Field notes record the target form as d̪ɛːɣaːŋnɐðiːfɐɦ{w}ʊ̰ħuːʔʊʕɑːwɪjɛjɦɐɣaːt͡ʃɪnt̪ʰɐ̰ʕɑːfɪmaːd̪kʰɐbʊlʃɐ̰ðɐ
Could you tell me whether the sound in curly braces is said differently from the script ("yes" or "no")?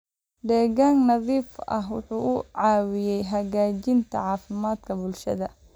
no